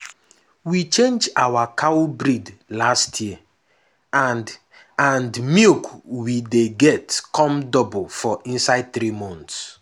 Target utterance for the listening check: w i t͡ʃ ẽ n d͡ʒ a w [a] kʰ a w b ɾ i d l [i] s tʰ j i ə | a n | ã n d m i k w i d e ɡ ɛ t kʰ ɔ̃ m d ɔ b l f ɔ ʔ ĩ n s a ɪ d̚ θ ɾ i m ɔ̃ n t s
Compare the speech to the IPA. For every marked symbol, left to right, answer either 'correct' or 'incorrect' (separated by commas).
correct, incorrect